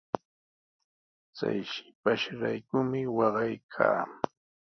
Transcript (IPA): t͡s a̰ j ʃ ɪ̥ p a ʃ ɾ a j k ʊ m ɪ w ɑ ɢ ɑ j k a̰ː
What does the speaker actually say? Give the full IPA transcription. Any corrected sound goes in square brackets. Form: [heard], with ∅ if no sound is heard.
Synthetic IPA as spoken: t͡s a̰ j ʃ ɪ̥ p a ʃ ɾ a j k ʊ m ɪ w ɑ ɢ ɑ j [kʰ] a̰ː